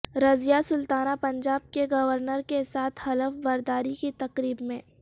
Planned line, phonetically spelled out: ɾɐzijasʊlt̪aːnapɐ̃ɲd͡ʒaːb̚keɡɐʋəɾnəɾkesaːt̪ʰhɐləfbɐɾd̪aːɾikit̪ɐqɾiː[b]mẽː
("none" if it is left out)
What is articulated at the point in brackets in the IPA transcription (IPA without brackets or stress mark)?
b